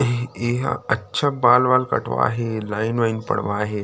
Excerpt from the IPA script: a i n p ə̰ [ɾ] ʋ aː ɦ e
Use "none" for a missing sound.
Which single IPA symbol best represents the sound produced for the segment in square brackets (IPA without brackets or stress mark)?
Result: ɽ